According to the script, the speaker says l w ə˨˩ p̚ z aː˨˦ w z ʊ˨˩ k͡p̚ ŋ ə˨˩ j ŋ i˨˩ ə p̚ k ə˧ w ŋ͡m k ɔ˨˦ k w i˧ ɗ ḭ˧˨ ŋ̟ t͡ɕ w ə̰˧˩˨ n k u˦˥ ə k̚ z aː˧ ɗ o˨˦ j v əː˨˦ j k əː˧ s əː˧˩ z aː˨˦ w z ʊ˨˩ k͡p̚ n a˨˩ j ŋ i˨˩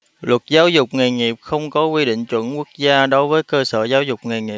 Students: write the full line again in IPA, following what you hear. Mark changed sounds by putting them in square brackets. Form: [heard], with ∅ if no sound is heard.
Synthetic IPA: l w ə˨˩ [t̚] z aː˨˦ w z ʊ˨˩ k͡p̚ ŋ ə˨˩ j ŋ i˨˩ ə p̚ [x] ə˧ w ŋ͡m k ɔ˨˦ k w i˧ ɗ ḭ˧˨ ŋ̟ t͡ɕ w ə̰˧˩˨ n k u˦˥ ə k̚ z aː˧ ɗ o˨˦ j v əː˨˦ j k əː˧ s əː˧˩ z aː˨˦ w z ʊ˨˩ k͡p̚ [ŋ] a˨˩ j ŋ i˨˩